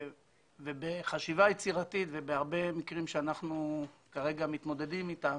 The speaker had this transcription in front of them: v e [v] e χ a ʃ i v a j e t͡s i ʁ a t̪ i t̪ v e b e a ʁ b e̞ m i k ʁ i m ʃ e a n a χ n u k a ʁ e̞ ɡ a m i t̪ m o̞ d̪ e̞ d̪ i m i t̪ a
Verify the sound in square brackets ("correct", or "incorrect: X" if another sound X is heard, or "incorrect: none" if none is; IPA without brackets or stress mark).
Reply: incorrect: b